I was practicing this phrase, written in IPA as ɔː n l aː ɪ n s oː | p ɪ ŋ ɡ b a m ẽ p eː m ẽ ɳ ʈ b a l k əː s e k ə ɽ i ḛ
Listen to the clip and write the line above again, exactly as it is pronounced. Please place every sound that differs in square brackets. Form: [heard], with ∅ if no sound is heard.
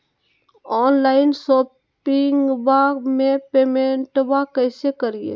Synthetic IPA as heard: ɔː n l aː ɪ n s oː | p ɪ ŋ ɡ b a m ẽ p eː m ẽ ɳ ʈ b a [∅] k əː s e k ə [ɾ] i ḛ